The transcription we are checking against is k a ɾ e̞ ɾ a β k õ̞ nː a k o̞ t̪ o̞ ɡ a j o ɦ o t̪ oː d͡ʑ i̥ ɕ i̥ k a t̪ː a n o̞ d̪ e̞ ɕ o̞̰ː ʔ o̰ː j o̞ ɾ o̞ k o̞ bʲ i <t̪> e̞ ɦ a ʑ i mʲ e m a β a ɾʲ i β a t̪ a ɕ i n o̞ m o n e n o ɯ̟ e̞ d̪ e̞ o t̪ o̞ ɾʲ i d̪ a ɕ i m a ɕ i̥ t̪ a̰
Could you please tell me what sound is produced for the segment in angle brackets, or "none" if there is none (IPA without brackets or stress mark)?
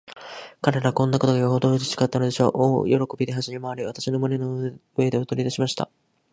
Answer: d̪